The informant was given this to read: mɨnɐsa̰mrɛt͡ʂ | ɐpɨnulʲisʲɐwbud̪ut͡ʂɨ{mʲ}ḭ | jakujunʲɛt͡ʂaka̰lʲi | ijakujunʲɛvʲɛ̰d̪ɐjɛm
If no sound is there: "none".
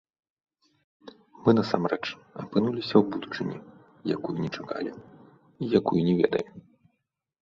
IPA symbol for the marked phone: nʲ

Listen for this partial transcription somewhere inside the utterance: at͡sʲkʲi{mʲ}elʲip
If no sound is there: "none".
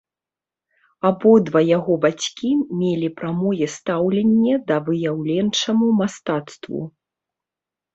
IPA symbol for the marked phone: mʲ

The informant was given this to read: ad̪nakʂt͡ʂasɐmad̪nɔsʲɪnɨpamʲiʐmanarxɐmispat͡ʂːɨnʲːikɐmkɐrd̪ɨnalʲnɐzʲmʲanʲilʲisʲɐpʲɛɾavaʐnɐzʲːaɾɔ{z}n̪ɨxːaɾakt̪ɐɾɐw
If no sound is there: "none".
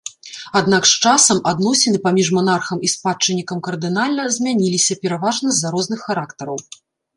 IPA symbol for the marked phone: z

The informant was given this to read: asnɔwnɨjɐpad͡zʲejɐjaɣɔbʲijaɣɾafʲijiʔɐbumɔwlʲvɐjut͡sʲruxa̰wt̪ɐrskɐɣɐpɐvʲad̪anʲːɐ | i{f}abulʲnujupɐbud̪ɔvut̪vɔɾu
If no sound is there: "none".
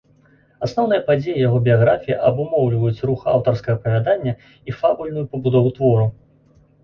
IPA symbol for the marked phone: f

